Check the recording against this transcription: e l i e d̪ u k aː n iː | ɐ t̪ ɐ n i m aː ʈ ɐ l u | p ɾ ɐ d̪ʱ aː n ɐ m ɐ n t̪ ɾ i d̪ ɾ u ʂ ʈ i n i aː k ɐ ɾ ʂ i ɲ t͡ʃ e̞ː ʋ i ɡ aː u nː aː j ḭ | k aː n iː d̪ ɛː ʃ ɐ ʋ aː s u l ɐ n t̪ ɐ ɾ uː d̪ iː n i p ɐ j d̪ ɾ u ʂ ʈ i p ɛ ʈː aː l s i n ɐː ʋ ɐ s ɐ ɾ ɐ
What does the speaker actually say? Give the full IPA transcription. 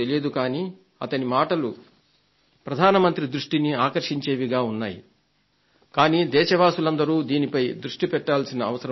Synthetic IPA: e l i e d̪ u k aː n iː | ɐ t̪ ɐ n i m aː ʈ ɐ l u | p ɾ ɐ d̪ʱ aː n ɐ m ɐ n t̪ ɾ i d̪ ɾ u ʂ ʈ i n i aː k ɐ ɾ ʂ i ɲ t͡ʃ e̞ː ʋ i ɡ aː u nː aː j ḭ | k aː n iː d̪ ɛː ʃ ɐ ʋ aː s u l ɐ n d̪ ɐ ɾ uː d̪ iː n i p ɐ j d̪ ɾ u ʂ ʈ i p ɛ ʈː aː l s i n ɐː ʋ ɐ s ɐ ɾ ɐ